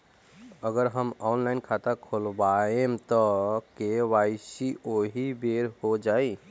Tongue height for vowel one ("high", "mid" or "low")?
mid